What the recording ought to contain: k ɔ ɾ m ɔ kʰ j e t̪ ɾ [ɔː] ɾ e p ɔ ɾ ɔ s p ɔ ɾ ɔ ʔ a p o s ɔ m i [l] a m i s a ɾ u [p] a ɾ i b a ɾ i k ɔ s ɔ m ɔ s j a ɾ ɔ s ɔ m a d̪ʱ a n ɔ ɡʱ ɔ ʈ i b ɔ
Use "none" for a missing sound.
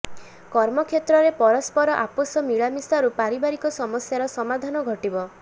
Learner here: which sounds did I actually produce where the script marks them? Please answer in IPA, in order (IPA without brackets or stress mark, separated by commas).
ɔ, ɭ, p